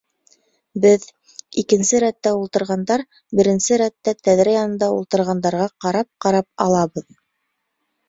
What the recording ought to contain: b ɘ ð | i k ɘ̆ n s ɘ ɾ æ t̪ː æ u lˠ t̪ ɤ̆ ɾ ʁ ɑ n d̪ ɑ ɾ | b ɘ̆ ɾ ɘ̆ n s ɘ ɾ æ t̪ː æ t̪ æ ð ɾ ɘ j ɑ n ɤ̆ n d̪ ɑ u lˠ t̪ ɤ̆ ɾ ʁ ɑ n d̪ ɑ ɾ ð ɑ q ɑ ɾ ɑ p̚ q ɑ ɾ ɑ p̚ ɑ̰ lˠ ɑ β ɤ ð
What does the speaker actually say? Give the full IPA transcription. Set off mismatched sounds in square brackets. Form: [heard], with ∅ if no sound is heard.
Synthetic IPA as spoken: b ɘ ð | i k ɘ̆ n s ɘ ɾ æ t̪ː æ u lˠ t̪ ɤ̆ ɾ ʁ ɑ n d̪ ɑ ɾ | b ɘ̆ ɾ ɘ̆ n s ɘ ɾ æ t̪ː æ t̪ æ ð ɾ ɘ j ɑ n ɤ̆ n d̪ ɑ u lˠ t̪ ɤ̆ ɾ ʁ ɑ n d̪ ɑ ɾ [ʁ] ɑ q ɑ ɾ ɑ p̚ q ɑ ɾ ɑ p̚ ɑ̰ lˠ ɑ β ɤ ð